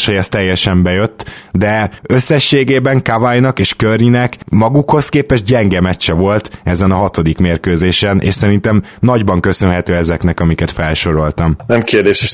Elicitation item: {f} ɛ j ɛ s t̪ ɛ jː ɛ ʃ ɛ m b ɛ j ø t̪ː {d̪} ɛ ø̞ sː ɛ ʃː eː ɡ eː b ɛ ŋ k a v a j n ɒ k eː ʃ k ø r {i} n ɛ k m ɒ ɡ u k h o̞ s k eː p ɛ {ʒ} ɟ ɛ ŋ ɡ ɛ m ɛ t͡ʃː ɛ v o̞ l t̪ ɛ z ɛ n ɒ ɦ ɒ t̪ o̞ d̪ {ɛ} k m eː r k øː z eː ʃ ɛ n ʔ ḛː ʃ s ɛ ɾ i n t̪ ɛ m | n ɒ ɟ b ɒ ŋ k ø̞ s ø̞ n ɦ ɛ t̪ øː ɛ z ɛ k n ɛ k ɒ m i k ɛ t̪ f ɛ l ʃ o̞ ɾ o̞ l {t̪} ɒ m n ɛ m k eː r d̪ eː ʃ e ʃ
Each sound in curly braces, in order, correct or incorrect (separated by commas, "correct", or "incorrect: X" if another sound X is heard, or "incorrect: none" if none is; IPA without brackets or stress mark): incorrect: ʃ, correct, correct, correct, incorrect: i, correct